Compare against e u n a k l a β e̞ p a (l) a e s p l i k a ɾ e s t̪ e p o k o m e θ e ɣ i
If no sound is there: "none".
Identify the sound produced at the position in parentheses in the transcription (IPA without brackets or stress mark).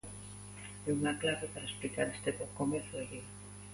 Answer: ɾ